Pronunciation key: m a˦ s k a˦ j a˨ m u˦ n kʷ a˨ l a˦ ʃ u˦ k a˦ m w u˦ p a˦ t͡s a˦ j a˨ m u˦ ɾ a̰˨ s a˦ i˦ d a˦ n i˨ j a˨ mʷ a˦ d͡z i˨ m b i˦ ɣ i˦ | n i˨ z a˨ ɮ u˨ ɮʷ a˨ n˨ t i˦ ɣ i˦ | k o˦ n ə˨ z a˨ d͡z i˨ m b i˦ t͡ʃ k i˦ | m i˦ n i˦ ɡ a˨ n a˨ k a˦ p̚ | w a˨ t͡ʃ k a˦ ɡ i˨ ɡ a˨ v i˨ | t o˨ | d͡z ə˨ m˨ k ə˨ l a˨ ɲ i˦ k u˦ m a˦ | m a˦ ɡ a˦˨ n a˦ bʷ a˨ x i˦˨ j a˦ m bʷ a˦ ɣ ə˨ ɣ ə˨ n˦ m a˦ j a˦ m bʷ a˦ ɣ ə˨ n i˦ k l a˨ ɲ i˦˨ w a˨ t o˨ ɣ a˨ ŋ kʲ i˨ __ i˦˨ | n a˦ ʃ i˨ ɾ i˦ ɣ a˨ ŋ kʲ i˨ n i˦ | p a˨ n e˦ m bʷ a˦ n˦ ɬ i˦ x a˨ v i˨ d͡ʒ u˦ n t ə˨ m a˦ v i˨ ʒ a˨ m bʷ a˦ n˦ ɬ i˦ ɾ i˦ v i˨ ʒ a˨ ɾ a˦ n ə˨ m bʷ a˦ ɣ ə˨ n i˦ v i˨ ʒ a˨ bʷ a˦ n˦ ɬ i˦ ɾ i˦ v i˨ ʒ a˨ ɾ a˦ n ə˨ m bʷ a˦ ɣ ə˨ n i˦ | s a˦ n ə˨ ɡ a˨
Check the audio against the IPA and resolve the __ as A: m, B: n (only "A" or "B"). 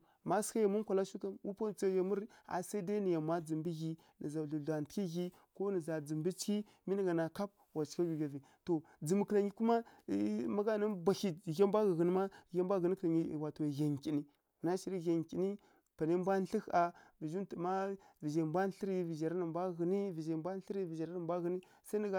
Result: B